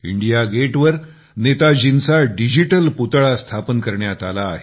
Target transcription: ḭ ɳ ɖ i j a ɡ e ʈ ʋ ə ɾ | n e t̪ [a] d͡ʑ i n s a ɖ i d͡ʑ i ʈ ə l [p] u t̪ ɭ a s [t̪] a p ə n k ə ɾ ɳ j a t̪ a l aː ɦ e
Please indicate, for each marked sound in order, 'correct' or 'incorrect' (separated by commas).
correct, correct, incorrect